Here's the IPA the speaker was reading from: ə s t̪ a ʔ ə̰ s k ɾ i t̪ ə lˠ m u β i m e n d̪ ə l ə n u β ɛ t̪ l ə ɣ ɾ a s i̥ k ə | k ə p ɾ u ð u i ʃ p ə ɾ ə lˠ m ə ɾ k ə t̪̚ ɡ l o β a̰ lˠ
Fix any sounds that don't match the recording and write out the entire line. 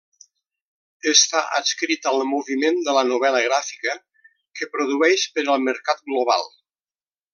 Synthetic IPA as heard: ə s t̪ a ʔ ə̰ s k ɾ i t̪ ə lˠ m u β i m e n d̪ ə l ə n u β ɛ l ə ɣ ɾ a f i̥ k ə | k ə p ɾ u ð u ɛ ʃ p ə ɾ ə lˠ m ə ɾ k a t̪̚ ɡ l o β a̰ lˠ